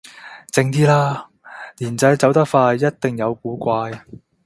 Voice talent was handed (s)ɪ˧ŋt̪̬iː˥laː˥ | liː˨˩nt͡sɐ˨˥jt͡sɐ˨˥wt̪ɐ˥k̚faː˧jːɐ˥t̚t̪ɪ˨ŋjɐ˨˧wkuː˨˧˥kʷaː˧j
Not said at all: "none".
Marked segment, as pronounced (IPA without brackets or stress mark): t͡s